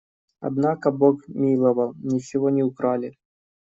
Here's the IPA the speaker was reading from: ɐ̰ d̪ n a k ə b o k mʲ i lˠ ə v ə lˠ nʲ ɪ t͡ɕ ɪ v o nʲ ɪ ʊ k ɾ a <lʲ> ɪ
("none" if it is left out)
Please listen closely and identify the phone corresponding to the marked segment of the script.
lʲ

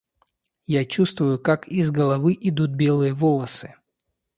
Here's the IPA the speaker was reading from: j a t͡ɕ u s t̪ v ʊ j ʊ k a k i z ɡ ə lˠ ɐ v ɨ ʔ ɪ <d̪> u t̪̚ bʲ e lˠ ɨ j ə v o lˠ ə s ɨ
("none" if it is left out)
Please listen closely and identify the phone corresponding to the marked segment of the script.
d̪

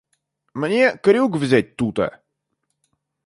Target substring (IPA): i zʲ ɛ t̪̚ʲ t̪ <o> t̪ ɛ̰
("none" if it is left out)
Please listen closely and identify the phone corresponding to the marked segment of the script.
u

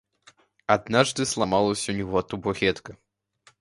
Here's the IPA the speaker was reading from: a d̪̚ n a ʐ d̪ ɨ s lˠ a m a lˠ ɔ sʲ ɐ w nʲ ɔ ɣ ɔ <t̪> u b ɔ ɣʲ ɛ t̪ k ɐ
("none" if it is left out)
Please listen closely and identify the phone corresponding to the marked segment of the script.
t̪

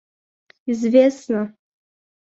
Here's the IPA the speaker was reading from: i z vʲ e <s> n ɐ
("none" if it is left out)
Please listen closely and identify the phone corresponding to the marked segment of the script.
s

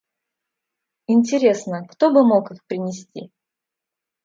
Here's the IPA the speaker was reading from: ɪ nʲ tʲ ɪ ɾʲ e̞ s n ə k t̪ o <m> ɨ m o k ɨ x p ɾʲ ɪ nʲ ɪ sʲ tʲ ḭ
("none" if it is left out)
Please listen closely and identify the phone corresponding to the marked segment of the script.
b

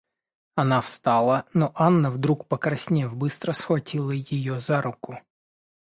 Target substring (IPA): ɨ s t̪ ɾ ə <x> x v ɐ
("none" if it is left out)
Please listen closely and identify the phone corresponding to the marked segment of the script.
s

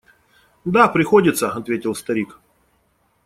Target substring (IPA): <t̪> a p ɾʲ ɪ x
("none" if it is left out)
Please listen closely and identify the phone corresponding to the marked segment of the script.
d̪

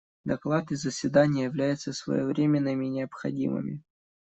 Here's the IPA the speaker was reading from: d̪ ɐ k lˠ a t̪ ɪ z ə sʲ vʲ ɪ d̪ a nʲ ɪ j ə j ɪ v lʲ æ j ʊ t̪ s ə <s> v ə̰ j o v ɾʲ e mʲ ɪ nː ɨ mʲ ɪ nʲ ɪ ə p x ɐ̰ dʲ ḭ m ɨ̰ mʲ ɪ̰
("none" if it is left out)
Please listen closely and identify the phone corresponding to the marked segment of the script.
s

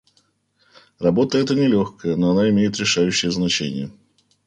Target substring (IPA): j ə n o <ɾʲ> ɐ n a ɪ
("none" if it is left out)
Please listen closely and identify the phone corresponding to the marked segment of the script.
none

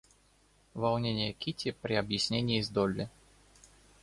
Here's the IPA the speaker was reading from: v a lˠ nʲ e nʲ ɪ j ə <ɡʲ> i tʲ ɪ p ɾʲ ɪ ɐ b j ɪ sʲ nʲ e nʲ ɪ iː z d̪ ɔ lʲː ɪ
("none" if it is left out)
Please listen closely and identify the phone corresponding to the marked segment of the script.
kʲ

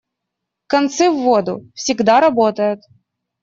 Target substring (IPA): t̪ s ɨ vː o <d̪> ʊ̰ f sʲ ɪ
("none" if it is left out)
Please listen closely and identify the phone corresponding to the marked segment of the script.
d̪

